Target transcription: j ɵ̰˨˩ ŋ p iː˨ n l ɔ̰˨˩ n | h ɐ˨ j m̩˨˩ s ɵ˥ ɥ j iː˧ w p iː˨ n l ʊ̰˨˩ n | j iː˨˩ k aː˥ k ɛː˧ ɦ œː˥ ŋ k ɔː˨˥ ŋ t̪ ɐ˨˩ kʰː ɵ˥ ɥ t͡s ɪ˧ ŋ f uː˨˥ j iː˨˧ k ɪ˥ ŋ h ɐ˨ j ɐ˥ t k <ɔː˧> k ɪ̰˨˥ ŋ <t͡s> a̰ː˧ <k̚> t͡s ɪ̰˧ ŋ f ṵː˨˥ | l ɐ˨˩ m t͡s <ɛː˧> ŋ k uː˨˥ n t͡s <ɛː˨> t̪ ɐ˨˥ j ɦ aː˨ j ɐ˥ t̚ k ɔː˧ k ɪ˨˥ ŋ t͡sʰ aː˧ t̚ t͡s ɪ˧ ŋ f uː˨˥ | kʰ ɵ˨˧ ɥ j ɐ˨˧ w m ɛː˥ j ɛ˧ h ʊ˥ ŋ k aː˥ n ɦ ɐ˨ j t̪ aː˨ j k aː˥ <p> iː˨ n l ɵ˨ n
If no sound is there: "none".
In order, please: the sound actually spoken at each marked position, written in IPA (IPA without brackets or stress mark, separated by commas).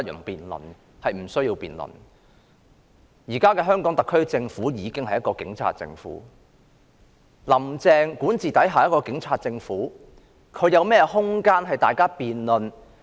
ɔː˧, t͡sʰ, t̚, ɛː˧, iː˨, p